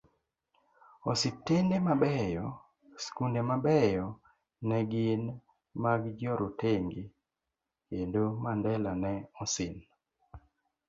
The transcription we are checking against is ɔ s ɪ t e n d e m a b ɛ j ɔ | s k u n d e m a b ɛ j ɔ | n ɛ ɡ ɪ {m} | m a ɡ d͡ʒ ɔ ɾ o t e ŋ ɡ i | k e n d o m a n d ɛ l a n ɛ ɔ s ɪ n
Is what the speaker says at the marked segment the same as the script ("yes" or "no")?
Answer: no